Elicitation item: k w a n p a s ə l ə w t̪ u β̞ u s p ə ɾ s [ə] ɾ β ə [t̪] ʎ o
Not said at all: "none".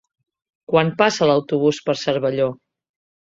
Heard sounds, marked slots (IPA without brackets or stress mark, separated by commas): ə, none